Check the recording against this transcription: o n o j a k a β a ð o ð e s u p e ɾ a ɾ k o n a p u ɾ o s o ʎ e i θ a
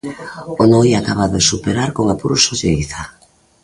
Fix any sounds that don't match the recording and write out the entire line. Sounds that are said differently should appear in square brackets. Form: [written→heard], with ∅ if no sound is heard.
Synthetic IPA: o n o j a k a β a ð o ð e s u p e ɾ a ɾ k o [n→ŋ] a p u ɾ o s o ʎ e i θ a